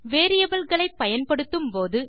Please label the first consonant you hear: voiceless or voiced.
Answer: voiced